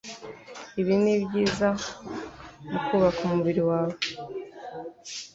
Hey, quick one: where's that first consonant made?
lips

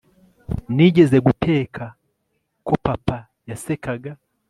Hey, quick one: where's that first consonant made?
tongue tip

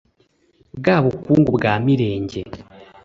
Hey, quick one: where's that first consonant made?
velum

